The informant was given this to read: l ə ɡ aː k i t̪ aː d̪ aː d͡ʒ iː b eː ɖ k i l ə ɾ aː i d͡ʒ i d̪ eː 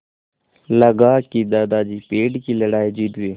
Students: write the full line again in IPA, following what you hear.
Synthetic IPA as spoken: l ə ɡ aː k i d̪ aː d̪ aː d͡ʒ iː p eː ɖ k i l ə ɽ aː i d͡ʒ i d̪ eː